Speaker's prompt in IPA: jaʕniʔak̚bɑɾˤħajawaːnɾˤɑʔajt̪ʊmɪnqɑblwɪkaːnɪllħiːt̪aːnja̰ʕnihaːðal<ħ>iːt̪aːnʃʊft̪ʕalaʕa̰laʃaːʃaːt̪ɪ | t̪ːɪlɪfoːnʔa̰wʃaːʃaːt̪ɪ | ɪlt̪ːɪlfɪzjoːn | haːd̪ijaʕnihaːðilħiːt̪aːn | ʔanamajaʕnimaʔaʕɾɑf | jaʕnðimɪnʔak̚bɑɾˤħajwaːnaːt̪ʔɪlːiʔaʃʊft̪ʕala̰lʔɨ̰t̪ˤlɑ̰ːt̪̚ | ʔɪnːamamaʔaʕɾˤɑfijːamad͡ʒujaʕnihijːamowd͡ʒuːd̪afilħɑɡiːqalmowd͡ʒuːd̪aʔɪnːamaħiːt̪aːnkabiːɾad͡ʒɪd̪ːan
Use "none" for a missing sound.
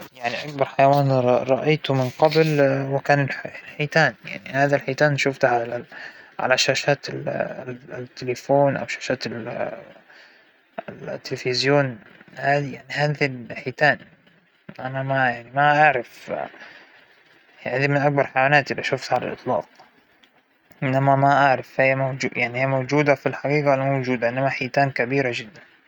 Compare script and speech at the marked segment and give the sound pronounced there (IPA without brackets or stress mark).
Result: ħ